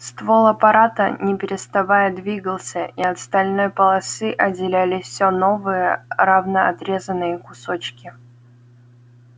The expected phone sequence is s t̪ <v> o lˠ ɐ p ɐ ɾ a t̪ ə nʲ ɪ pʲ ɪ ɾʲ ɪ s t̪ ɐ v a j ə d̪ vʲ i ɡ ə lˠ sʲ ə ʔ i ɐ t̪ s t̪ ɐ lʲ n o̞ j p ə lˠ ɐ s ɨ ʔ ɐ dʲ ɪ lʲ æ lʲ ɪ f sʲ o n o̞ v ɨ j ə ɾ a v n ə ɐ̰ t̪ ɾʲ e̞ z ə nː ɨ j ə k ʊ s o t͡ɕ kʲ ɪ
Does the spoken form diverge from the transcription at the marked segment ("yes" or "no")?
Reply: no